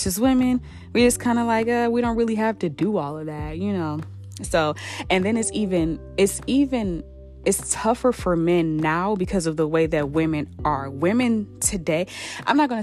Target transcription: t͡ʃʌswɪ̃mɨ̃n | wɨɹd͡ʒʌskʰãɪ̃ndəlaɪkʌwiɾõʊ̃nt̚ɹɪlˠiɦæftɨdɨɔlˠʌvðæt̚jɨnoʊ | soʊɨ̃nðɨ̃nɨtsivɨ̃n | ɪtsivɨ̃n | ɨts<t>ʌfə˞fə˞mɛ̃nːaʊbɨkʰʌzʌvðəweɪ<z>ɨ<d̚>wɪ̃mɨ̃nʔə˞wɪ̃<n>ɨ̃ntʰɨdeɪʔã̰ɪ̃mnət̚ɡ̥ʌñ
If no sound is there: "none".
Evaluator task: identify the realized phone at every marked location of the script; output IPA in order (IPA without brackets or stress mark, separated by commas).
tʰ, ð, t̚, m